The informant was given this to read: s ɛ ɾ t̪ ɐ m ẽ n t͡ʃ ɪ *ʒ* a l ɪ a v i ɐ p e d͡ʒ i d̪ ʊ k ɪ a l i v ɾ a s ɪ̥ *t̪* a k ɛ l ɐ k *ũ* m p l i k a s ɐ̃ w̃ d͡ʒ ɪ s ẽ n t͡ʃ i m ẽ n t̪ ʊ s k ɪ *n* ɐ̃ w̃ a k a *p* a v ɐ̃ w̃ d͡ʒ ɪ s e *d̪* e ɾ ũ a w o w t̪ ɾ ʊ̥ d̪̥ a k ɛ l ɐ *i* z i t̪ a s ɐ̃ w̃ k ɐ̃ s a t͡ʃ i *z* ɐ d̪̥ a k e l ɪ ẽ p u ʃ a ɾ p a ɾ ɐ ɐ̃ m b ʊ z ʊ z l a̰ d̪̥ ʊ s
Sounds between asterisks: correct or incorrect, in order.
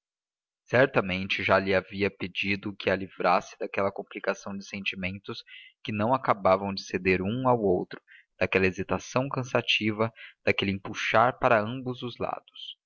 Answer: correct, incorrect, incorrect, correct, incorrect, correct, incorrect, incorrect

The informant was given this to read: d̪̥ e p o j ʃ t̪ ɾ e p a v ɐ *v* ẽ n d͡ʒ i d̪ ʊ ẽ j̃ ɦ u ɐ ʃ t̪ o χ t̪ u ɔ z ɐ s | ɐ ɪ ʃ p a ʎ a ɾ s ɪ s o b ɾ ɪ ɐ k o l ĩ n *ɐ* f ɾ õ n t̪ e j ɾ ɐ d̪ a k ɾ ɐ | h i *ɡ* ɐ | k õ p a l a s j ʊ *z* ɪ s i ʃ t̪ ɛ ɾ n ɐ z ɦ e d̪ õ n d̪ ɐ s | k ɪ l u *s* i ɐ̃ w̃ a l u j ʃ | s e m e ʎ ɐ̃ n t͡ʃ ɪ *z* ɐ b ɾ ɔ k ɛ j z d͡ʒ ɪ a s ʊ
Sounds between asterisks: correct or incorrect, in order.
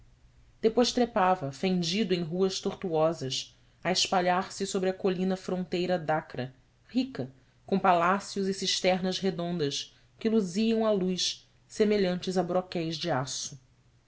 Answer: incorrect, correct, incorrect, correct, incorrect, correct

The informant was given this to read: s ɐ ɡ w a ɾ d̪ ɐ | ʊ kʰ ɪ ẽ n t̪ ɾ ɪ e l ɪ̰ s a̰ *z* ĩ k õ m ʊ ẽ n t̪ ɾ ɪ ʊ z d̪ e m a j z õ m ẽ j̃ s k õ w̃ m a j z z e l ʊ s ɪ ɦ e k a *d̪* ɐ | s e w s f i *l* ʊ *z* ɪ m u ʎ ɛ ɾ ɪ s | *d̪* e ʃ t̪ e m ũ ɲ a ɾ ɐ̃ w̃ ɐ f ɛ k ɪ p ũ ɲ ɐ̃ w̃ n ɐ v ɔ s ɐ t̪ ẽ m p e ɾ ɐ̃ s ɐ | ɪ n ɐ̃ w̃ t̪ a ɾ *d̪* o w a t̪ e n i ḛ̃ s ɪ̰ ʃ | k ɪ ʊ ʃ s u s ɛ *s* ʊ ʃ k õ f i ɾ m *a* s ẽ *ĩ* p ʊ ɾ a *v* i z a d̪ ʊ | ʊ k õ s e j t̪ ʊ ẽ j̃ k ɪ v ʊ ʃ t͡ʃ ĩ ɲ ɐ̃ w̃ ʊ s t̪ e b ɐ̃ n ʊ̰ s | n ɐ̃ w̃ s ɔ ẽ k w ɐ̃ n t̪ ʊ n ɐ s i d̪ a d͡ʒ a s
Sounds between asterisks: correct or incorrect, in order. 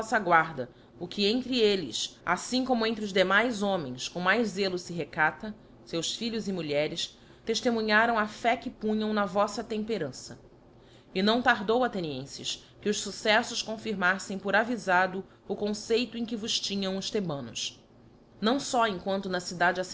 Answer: incorrect, incorrect, incorrect, correct, incorrect, correct, correct, correct, incorrect, correct

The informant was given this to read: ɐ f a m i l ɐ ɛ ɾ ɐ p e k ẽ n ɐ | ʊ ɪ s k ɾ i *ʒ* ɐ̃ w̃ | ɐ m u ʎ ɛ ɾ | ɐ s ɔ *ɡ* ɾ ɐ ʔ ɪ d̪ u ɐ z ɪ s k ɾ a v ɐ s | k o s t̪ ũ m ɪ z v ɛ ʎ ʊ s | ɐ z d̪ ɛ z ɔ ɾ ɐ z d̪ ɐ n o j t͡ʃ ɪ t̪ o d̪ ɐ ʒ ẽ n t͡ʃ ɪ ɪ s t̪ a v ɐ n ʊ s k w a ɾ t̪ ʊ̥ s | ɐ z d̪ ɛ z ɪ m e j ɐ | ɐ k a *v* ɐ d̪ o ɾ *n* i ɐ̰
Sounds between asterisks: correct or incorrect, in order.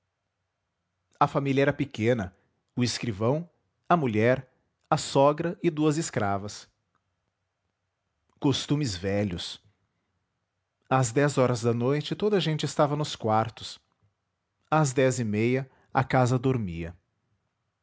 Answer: incorrect, correct, incorrect, incorrect

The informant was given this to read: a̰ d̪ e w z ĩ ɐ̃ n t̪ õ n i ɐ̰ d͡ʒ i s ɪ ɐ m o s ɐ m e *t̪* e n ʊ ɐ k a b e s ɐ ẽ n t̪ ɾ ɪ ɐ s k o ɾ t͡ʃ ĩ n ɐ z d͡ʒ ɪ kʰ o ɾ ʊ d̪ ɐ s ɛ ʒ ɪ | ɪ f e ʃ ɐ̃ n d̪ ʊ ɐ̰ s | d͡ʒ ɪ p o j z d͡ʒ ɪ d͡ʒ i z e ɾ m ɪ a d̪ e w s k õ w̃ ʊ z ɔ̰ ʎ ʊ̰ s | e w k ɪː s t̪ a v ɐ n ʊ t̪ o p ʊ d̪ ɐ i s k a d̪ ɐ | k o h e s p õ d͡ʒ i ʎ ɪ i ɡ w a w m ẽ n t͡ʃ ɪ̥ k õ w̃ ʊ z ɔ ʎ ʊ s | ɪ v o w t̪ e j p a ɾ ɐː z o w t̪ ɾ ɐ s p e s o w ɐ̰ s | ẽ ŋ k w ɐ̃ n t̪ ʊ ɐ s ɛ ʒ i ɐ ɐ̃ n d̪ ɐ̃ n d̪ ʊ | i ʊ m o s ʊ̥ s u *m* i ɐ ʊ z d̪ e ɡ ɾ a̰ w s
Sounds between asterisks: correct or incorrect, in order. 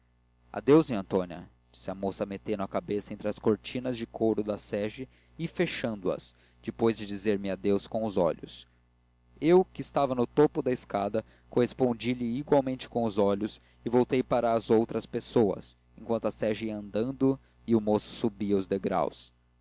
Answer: correct, incorrect

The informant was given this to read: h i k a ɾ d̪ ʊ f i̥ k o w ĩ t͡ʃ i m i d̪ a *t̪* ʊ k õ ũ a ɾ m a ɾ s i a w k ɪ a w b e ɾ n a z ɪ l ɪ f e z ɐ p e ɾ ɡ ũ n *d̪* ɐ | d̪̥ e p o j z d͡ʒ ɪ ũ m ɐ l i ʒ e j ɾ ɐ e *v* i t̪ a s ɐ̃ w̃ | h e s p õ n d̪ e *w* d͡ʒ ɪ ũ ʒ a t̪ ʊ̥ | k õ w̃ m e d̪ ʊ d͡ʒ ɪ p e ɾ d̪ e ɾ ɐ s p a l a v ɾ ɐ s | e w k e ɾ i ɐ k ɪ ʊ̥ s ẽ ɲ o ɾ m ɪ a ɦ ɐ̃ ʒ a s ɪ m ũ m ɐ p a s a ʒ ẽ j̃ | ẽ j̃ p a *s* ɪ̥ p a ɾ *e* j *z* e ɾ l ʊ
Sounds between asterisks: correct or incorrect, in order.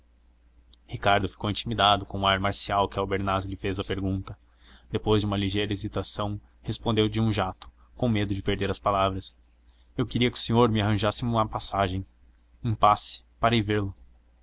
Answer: incorrect, incorrect, incorrect, correct, correct, correct, incorrect

